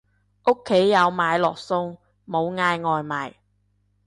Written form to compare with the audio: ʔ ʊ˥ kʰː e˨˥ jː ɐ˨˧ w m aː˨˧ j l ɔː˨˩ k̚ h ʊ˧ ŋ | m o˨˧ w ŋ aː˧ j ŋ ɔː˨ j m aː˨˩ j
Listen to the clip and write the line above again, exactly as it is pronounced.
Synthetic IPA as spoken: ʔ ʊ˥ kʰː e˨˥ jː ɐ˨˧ w m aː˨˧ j l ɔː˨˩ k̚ s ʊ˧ ŋ | m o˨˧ w ŋ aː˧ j ŋ ɔː˨ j m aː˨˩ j